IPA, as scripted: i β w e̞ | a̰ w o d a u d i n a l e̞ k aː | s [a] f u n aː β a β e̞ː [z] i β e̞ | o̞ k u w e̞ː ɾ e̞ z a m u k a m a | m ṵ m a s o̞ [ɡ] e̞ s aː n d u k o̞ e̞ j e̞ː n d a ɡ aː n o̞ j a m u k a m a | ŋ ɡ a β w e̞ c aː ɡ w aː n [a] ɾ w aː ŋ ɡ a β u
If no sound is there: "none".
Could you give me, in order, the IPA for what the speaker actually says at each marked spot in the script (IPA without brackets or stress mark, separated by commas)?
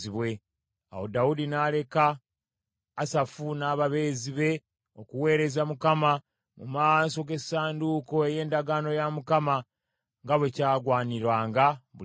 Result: a, z, ɡ, i